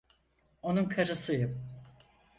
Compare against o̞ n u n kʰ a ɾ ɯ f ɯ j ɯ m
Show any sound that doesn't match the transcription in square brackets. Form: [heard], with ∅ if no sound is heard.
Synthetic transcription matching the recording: o̞ n u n kʰ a ɾ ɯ [s] ɯ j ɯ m